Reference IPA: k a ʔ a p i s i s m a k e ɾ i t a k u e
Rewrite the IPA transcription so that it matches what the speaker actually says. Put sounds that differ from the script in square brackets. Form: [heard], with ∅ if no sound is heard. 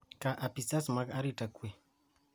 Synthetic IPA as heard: k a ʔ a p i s [a] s m a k [a] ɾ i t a k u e

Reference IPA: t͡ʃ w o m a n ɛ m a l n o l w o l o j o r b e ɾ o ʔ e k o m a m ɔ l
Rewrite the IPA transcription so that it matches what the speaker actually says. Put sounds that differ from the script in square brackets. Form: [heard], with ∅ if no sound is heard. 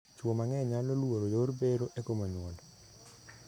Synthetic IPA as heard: t͡ʃ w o m a [ŋ] ɛ [ɲ] a l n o l w o [ɾ] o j o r b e ɾ o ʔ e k o m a [ɲ] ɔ l

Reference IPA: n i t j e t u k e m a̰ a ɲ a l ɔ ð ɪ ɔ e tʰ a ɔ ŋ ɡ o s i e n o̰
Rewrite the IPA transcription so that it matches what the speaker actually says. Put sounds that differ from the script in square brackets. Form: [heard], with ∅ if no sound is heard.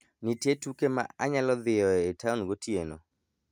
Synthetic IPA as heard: n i t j e t u k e m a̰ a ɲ a l ɔ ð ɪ ɔ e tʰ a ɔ [n] ɡ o [t] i e n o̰

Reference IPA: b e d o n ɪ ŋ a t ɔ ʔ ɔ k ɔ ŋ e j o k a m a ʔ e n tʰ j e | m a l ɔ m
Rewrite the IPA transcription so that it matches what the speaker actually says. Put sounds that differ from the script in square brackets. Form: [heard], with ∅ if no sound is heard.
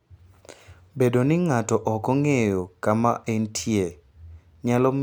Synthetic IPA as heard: b e d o n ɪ ŋ a t ɔ ʔ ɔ k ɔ ŋ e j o k a m a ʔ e n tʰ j e | [ɲ] a l ɔ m

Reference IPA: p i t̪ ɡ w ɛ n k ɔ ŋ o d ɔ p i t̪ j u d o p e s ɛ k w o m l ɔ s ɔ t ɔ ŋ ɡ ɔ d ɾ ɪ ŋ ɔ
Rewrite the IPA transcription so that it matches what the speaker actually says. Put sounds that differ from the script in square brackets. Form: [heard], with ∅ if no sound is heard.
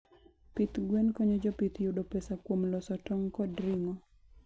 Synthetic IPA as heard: p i t̪ ɡ w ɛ n k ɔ [ɲ] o [d͡ʒ] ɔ p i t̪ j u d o p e s [a] k w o m l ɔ s ɔ t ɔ ŋ [k] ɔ d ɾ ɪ ŋ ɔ

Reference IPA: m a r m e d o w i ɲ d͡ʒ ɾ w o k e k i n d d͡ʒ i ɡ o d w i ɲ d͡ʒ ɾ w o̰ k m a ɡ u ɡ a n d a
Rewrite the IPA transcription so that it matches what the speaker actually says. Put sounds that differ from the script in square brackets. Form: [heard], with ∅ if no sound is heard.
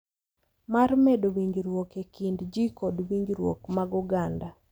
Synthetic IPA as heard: m a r m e d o w i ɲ d͡ʒ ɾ w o k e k i n d d͡ʒ i [k] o d w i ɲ d͡ʒ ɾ w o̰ k m a ɡ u ɡ a n d a

